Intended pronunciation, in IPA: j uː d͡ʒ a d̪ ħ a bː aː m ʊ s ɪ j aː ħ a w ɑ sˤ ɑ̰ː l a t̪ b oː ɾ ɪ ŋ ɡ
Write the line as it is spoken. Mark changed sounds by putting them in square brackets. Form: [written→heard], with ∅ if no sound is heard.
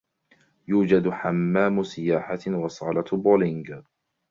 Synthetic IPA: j uː d͡ʒ a d̪ ħ a [bː→mː] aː m ʊ s ɪ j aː ħ a w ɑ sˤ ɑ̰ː l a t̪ b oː [ɾ→l] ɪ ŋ ɡ

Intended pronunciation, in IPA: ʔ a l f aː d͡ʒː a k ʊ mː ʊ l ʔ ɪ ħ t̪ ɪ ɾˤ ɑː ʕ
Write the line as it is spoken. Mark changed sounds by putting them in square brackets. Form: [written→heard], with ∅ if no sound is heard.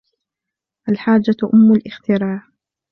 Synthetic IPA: ʔ a l [f→ħ] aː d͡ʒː a [k→ʔ] ʊ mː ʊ l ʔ ɪ [ħ→x] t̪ ɪ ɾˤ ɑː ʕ

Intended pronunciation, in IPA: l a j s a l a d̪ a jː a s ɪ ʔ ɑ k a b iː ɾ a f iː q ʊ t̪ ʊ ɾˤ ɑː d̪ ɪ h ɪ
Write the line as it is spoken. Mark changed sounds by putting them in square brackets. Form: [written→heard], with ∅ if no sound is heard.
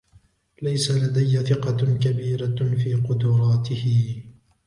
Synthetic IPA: l a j s a l a d̪ a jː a [s→θ] ɪ [ʔ→q] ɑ k a b iː ɾ a f iː q ʊ [t̪→d̪] ʊ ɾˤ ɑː [d̪→t̪] ɪ h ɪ

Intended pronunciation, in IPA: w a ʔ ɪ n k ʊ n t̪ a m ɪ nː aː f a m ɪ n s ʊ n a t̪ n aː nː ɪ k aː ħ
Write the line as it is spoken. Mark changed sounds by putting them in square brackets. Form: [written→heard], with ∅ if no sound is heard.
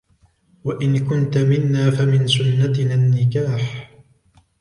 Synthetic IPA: w a ʔ ɪ n k ʊ n t̪ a m ɪ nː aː f a m ɪ n s ʊ [n→nː] a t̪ n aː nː ɪ k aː ħ

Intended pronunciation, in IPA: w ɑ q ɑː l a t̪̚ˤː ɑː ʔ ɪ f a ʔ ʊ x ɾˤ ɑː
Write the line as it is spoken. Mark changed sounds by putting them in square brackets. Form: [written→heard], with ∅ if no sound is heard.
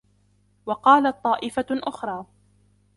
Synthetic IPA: w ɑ q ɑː l a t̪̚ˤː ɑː ʔ ɪ f a ʔ ʊ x ɾˤ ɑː

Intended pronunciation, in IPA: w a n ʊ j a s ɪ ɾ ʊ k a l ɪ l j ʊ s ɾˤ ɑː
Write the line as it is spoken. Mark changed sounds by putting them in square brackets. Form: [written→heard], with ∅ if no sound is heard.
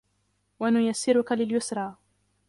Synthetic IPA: w a n ʊ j a [s→sː] ɪ ɾ ʊ k a l ɪ l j ʊ s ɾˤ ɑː

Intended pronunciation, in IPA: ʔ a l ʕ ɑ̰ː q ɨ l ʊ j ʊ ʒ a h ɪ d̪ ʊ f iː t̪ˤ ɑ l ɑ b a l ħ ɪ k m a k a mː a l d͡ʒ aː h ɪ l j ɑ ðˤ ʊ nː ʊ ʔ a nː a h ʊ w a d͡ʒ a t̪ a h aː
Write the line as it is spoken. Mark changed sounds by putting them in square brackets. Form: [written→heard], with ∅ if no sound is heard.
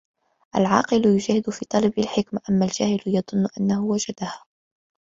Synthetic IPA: ʔ a l ʕ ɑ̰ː q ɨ l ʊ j ʊ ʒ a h ɪ d̪ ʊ f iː t̪ˤ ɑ l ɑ b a l ħ ɪ k m a [k→ʔ] a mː a l d͡ʒ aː h ɪ l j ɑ ðˤ ʊ nː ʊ ʔ a nː a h ʊ w a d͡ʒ a [t̪→d̪] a h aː

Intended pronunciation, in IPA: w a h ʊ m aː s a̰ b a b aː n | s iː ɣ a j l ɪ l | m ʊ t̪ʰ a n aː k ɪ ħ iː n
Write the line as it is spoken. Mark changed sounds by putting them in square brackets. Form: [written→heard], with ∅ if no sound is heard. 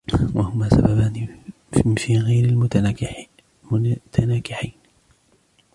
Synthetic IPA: w a h ʊ m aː s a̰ b a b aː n | [s→f] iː ɣ a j [l→ɾ] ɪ l | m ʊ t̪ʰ a n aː k ɪ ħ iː n

